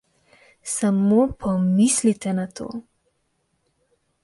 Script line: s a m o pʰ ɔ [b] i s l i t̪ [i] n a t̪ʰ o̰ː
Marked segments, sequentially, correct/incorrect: incorrect, incorrect

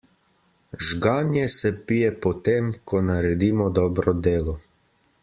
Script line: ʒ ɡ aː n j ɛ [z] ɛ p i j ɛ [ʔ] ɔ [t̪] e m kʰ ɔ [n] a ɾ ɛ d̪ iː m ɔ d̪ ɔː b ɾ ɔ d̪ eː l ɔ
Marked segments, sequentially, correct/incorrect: incorrect, incorrect, correct, correct

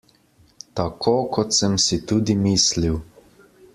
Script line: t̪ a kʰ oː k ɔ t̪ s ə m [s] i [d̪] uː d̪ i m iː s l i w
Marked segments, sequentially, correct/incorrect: correct, incorrect

